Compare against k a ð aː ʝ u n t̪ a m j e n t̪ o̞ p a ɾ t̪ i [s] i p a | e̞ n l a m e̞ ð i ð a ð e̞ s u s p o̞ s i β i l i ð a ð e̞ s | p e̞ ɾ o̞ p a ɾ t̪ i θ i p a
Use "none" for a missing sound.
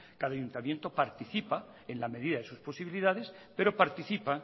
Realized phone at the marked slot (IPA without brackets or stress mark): θ